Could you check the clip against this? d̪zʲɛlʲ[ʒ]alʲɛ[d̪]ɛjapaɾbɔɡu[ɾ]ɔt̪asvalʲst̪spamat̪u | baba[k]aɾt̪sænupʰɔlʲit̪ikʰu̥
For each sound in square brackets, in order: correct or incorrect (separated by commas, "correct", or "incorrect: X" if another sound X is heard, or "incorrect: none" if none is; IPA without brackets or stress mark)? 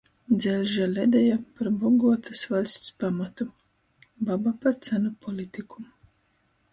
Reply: correct, correct, incorrect: none, incorrect: p